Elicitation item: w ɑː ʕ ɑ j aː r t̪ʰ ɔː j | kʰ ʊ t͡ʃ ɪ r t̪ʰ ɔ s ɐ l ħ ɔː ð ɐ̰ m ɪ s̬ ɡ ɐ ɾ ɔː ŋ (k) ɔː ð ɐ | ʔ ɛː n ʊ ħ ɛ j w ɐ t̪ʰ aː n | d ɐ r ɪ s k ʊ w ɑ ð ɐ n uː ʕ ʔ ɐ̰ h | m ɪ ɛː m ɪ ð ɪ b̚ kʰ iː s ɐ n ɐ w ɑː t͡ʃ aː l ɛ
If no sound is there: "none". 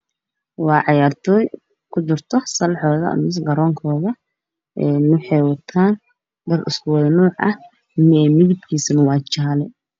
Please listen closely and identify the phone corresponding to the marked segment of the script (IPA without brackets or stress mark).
kʰ